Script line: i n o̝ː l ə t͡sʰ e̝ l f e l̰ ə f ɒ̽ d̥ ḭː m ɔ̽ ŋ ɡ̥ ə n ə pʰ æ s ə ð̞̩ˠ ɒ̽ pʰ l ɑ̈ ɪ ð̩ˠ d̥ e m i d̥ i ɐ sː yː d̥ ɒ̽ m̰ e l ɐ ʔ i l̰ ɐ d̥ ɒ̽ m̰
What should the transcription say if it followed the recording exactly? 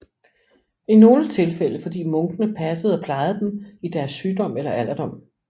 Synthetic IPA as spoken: i n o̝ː l ə t͡sʰ e̝ l f e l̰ ə f ɒ̽ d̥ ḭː m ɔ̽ ŋ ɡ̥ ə n ə pʰ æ s ə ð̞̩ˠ ɒ̽ pʰ l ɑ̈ ɪ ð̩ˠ d̥ e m i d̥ æ ɐ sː yː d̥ ɒ̽ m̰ e l ɐ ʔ æ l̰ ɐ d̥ ɒ̽ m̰